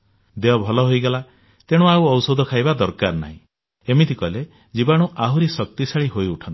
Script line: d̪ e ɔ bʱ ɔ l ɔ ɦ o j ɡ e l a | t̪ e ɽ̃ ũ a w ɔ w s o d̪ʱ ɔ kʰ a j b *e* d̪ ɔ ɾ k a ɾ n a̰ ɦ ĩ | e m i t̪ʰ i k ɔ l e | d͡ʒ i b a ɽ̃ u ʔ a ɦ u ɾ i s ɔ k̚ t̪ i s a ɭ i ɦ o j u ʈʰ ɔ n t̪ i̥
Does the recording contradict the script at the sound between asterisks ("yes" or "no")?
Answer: yes